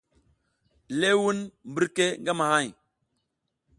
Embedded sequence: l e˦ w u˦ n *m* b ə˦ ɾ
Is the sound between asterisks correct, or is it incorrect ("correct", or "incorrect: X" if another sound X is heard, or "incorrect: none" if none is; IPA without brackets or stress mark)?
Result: correct